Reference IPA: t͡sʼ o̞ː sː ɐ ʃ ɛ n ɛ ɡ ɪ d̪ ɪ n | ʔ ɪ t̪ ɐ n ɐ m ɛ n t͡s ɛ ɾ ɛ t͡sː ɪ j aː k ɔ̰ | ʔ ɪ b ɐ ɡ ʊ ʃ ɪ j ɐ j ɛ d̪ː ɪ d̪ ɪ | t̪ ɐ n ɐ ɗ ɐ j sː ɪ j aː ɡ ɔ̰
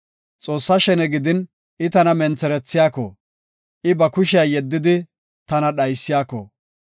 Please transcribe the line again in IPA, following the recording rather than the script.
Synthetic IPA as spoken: t͡sʼ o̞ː sː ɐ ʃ ɛ n ɛ ɡ ɪ d̪ ɪ n | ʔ ɪ t̪ ɐ n ɐ m ɛ n t͡s ɛ ɾ ɛ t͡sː ɪ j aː k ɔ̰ | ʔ ɪ b ɐ k ʊ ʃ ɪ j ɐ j ɛ d̪ː ɪ d̪ ɪ | t̪ ɐ n ɐ ɗ ɐ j sː ɪ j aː k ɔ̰